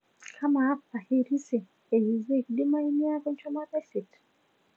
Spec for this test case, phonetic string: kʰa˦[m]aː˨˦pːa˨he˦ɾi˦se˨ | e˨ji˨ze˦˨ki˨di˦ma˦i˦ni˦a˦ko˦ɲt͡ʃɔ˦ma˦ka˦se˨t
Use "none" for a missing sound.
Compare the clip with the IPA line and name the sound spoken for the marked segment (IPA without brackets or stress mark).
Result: m